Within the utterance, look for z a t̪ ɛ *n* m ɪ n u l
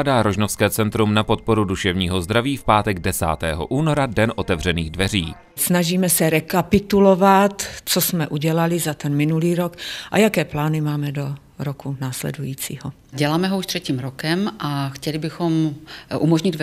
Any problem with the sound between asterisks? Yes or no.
no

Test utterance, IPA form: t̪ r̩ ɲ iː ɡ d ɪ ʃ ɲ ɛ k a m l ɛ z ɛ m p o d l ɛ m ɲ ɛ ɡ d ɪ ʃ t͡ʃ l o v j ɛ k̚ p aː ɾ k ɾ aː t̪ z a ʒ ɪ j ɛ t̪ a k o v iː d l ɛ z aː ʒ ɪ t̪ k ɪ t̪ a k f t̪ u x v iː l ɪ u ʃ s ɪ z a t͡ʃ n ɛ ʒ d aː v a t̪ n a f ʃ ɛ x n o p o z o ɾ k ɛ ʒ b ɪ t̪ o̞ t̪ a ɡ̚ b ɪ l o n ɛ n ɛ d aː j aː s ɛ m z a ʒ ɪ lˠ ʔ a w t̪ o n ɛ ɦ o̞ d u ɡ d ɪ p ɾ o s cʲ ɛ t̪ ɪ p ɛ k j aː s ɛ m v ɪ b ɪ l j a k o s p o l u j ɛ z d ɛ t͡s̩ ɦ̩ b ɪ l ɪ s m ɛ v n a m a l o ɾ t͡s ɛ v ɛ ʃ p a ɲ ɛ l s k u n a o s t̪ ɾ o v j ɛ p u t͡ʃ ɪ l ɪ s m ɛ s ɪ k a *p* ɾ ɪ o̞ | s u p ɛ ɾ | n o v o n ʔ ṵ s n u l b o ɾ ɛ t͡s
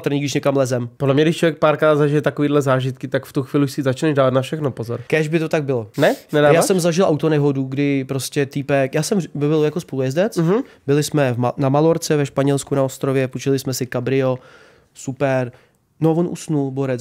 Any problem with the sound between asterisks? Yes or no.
yes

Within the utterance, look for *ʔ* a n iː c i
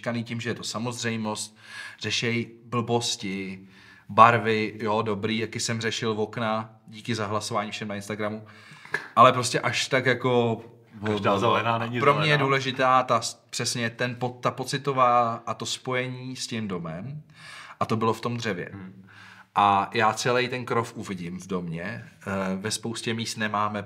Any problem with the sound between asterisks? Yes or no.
yes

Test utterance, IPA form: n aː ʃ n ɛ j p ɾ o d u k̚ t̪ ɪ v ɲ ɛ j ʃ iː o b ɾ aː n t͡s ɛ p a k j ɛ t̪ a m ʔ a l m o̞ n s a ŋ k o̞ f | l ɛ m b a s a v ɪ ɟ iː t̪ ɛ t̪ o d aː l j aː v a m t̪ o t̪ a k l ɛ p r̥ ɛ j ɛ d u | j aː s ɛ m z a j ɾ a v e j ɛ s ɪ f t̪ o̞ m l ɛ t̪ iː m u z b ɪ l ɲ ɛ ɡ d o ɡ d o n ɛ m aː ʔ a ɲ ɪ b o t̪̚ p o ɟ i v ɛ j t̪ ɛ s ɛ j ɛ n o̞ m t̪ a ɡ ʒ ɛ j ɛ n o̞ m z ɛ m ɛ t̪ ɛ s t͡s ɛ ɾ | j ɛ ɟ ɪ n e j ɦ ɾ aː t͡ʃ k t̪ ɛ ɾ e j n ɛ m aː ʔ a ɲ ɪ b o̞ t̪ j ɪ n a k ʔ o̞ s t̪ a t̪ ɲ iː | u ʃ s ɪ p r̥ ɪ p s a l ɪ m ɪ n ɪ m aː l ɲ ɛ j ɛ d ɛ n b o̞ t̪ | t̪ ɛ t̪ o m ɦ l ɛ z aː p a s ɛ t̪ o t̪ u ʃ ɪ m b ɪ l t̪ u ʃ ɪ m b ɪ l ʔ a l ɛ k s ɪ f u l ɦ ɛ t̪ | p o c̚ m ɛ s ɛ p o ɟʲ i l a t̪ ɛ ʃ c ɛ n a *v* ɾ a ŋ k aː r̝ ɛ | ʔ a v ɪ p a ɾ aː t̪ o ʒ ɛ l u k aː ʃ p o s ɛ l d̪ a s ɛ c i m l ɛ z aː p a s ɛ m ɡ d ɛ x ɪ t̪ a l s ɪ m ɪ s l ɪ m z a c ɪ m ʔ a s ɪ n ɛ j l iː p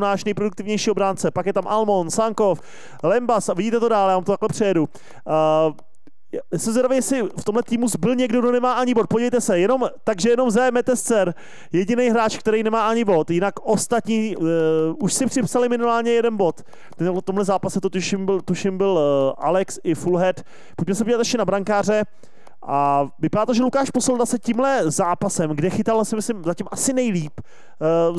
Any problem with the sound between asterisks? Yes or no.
yes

